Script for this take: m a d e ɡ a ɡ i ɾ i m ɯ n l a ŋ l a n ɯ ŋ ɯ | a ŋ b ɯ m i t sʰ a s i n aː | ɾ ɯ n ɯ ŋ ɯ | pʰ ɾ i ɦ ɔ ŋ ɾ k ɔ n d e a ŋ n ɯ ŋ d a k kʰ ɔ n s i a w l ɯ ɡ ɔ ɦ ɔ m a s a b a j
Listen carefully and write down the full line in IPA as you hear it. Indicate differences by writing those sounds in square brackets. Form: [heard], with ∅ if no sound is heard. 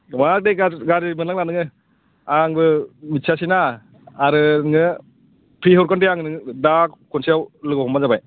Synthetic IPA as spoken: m a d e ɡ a ɡ [a] ɾ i m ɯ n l a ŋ l a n ɯ ŋ ɯ | a ŋ b ɯ m i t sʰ a s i n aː | ɾ ɯ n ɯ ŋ ɯ | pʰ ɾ i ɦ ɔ [∅] ɾ k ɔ n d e a ŋ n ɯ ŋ d a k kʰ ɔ n s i a w l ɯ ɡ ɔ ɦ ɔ m a [z] a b a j